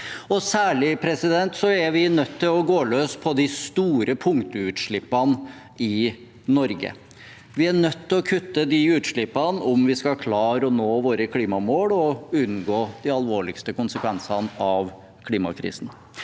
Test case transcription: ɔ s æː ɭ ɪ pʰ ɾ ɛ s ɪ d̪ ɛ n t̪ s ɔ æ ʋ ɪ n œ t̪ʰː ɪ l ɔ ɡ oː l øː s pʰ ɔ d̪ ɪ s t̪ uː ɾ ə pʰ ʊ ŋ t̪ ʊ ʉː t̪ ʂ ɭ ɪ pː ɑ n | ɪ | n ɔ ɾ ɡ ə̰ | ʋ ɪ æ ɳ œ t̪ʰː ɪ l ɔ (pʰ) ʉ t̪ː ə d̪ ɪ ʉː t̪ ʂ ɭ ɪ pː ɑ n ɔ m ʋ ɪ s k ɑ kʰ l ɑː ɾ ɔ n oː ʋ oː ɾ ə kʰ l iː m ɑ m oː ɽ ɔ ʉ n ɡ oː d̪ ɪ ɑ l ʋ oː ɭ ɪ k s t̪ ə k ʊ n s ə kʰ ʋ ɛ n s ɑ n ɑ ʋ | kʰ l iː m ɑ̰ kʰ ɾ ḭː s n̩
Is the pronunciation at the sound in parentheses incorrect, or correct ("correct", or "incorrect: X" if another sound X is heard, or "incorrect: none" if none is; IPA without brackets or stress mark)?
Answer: incorrect: kʰ